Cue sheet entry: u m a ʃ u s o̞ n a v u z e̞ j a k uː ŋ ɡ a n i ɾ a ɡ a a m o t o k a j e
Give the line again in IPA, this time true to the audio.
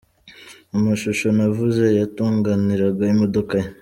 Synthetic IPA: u m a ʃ u ʃ o̞ n a v u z e̞ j a t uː ŋ ɡ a n i ɾ a ɡ a i m o d o k a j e